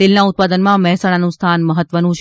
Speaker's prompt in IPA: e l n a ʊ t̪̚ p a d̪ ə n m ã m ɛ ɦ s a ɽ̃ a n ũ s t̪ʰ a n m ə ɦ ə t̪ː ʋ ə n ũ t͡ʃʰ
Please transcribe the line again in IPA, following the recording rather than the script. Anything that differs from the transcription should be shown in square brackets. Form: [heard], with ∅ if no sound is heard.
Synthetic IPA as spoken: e l n a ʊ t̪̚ p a d̪ ə n m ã m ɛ ɦ s a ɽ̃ a n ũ s t̪ʰ a n m ə ɦ ə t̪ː ʋ ə n ũ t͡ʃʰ